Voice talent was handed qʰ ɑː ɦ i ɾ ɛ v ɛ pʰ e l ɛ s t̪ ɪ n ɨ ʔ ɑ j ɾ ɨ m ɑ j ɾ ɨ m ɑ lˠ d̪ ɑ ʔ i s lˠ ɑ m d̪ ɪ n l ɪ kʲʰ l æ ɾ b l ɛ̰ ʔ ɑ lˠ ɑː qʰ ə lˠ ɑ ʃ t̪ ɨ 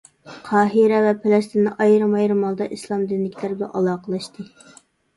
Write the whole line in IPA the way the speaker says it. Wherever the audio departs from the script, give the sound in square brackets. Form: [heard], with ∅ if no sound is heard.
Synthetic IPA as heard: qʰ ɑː ɦ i ɾ ɛ v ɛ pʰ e l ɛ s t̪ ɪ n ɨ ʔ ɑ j ɾ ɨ m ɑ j ɾ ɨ m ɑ lˠ d̪ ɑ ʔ i s lˠ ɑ m d̪ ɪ n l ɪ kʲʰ l æ ɾ b l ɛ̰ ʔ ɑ lˠ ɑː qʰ ə lˠ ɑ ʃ t̪ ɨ